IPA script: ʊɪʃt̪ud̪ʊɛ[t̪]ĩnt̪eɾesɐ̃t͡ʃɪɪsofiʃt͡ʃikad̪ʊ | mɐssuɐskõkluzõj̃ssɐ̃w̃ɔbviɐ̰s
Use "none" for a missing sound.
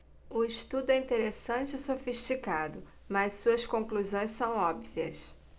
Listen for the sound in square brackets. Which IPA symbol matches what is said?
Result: none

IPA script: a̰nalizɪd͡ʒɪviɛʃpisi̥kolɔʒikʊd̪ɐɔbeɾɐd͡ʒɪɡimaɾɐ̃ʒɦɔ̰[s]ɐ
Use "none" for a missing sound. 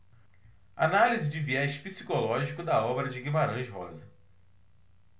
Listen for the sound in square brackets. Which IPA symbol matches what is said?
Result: z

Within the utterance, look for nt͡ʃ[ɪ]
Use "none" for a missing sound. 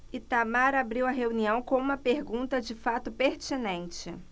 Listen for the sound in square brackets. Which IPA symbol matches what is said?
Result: ɪ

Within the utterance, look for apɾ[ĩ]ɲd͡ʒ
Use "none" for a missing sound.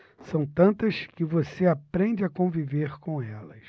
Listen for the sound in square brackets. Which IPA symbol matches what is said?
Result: ẽ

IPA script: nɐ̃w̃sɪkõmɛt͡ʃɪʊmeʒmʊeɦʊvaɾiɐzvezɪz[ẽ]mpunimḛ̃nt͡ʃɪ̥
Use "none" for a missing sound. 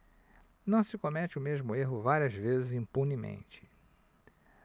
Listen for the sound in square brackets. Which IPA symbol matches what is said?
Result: ĩ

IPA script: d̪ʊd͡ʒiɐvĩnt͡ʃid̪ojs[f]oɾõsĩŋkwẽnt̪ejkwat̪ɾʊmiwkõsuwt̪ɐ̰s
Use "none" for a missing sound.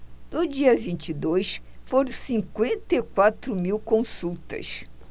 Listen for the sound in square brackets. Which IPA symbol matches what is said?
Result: f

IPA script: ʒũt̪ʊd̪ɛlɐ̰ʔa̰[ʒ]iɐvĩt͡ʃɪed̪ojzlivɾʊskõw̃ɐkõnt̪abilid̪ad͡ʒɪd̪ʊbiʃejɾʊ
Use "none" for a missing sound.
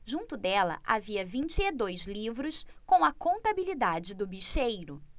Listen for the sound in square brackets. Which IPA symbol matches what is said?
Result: v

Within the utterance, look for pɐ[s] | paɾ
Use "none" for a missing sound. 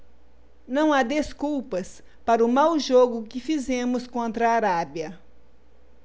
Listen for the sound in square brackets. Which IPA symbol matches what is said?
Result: s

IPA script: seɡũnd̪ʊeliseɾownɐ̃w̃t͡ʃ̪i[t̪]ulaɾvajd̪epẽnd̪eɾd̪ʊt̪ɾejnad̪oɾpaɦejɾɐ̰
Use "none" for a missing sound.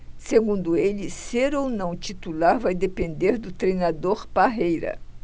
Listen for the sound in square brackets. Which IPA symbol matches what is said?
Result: t̪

